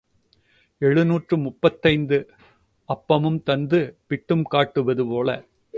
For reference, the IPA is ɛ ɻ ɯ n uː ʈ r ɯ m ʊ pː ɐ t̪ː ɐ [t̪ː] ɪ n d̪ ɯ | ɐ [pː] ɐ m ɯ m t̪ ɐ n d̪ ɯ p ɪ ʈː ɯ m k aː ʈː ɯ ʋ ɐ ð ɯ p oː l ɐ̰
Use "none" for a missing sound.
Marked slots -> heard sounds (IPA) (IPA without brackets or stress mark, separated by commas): none, pː